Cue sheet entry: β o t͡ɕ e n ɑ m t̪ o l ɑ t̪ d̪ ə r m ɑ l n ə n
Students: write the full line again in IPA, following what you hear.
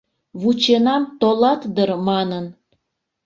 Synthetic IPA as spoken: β u t͡ɕ e n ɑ m t̪ o l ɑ t̪ d̪ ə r m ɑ n ə n